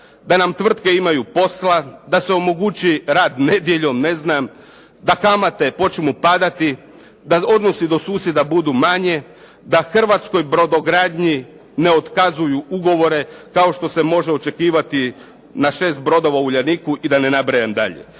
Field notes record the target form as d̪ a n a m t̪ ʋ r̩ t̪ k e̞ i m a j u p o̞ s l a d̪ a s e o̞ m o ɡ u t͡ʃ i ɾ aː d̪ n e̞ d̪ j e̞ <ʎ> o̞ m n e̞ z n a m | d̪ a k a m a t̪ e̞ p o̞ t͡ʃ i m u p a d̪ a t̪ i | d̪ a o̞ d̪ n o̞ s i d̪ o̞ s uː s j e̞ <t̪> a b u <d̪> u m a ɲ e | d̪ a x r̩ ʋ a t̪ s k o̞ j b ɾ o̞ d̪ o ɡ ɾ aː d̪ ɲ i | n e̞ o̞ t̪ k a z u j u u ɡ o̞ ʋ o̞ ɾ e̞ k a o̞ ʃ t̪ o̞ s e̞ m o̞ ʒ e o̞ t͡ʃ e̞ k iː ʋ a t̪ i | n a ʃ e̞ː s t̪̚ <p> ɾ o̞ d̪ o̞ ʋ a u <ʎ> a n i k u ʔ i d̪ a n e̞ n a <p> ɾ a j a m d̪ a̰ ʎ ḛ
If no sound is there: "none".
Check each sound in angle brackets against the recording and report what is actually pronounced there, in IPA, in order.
ʎ, d̪, d̪, b, ʎ, b

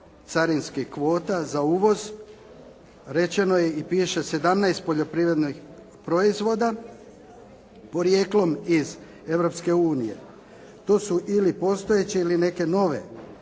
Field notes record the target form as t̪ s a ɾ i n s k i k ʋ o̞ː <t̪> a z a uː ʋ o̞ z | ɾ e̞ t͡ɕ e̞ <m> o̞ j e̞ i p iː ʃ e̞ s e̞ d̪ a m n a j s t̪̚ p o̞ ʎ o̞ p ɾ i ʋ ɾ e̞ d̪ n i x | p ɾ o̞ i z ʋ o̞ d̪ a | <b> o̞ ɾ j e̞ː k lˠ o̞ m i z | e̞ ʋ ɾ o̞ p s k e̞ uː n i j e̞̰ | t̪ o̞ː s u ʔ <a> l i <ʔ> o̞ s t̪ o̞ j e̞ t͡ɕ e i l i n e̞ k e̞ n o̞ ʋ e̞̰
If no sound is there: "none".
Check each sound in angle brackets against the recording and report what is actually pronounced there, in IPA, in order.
t̪, n, p, i, p

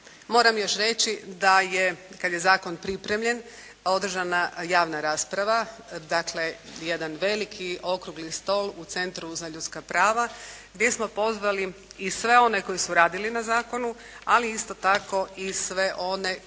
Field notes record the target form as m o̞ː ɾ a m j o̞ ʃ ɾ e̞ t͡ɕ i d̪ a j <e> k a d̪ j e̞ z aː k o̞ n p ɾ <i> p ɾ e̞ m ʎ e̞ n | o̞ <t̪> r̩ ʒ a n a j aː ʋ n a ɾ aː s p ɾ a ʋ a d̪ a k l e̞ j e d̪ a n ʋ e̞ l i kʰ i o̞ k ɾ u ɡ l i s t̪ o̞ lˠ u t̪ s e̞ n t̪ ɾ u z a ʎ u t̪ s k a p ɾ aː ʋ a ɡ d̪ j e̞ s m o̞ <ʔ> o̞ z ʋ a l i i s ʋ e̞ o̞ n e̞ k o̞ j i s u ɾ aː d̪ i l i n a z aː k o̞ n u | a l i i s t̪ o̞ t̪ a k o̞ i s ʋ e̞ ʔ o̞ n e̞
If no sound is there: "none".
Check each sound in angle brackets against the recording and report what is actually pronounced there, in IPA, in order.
e, i, d̪, p

